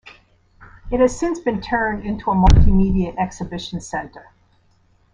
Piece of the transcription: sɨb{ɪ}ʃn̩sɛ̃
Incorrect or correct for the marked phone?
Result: correct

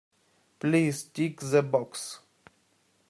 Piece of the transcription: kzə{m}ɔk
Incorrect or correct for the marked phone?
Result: incorrect: b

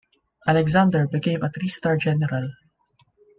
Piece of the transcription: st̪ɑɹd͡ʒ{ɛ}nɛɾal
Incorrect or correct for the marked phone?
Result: correct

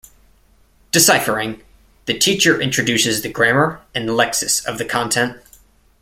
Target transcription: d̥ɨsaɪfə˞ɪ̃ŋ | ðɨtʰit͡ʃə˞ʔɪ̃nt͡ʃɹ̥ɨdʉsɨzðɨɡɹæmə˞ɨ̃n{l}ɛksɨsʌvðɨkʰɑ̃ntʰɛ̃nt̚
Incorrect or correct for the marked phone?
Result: correct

